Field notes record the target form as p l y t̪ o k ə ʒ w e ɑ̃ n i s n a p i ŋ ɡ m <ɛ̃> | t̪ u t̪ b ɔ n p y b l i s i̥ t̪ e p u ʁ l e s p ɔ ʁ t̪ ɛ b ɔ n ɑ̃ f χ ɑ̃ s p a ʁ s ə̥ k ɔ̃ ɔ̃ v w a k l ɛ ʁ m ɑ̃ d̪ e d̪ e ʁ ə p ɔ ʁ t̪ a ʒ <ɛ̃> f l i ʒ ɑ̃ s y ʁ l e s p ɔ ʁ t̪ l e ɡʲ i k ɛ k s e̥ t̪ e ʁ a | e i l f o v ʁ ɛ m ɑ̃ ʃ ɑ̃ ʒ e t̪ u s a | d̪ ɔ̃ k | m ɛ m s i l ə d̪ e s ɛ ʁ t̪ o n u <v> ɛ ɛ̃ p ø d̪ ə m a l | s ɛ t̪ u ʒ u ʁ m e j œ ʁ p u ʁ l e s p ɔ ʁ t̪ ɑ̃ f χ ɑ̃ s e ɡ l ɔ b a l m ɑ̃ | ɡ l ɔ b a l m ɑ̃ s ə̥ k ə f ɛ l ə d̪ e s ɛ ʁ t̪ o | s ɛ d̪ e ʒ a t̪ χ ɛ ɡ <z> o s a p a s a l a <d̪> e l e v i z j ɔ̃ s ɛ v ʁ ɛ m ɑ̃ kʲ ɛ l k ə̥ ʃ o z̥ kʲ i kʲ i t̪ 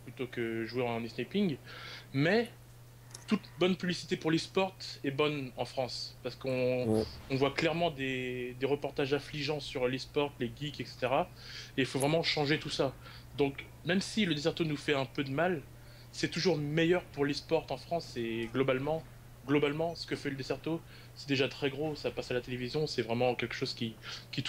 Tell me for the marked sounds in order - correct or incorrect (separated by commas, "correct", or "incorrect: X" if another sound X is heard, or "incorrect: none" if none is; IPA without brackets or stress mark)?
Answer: incorrect: ɛ, correct, incorrect: f, incorrect: ʁ, incorrect: t̪